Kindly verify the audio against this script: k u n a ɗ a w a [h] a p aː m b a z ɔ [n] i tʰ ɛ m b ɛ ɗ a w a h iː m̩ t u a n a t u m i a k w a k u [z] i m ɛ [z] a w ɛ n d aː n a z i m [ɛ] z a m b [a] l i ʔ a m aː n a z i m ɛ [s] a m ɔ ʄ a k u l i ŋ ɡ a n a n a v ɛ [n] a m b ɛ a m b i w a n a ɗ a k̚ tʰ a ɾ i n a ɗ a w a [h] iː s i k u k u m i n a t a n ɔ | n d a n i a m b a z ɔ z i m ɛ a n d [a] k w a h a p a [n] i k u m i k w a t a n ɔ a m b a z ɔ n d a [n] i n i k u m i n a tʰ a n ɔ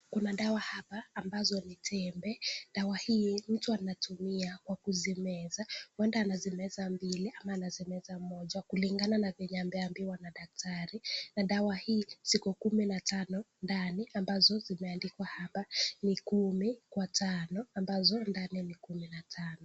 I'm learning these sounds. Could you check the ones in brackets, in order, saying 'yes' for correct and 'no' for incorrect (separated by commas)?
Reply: yes, yes, yes, yes, yes, no, no, no, yes, no, yes, yes